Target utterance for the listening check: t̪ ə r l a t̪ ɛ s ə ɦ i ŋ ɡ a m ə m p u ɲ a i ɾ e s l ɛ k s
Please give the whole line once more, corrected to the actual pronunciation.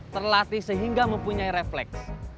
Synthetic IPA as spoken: t̪ ə r l a t̪ i s ə ɦ i ŋ ɡ a m ə m p u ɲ a i ɾ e f l ɛ k s